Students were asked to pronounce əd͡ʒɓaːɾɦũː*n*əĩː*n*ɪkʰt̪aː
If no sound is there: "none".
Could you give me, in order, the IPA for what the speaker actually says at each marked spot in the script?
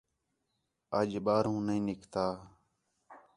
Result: n, n

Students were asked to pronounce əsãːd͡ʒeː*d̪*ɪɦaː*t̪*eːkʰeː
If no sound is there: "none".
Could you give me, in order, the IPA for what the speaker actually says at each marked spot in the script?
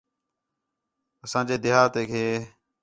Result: d̪, t̪

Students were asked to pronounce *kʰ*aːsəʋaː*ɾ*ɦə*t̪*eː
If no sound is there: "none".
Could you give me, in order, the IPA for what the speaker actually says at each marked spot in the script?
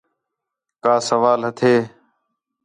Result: k, l, t̪ʰ

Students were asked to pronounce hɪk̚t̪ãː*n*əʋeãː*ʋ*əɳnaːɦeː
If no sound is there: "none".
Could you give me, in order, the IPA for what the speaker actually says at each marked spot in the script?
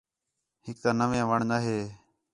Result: n, ʋ

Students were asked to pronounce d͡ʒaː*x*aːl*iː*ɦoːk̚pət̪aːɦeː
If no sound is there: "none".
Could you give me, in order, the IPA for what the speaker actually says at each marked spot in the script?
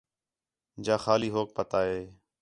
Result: x, iː

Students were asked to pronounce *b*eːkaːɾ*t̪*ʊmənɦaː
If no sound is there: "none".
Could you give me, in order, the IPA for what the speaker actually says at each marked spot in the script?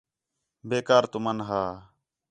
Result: b, t̪

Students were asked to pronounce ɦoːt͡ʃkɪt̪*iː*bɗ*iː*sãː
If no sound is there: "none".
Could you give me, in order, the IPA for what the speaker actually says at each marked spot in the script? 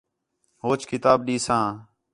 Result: aː, iː

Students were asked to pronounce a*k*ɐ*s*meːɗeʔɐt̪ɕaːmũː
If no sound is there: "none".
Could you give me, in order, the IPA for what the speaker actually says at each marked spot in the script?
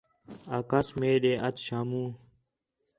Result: k, s

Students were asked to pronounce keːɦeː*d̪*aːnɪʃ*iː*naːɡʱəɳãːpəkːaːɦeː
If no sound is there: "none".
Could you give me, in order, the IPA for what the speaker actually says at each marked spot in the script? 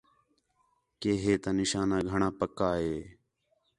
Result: t̪, aː

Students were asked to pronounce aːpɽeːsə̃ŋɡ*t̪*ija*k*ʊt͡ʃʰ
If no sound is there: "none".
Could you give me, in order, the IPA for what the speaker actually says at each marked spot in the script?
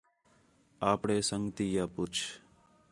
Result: t̪, p

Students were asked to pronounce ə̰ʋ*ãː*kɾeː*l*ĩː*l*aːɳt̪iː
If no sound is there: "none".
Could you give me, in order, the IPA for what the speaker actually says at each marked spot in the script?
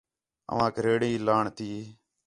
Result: ãː, ɽ, l

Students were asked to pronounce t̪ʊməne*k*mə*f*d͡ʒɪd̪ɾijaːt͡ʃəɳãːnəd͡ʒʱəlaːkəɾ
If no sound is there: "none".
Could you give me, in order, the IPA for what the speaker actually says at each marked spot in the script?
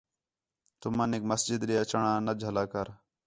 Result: k, s

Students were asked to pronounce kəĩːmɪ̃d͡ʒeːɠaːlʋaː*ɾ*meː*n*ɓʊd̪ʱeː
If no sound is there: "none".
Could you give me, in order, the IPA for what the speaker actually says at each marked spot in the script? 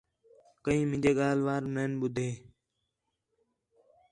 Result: ɾ, n

